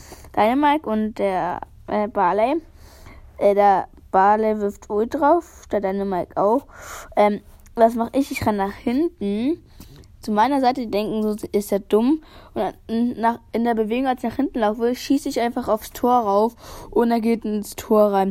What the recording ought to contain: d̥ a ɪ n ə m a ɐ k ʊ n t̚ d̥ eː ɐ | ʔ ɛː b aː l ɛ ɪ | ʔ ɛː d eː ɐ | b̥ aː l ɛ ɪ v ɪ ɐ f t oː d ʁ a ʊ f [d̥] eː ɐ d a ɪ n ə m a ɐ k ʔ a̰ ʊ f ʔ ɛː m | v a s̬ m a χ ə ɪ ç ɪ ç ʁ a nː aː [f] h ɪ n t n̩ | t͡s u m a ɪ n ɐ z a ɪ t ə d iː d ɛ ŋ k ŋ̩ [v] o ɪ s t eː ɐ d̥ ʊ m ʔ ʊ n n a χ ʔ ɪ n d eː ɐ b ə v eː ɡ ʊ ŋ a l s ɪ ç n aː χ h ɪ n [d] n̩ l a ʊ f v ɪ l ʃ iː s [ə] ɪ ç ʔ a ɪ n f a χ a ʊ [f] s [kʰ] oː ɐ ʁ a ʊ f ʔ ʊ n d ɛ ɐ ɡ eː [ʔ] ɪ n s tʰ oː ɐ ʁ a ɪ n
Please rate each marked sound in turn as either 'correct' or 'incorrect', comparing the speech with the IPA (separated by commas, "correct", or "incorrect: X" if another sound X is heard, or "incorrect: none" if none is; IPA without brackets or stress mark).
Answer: correct, incorrect: χ, incorrect: z, incorrect: t, correct, correct, incorrect: tʰ, incorrect: t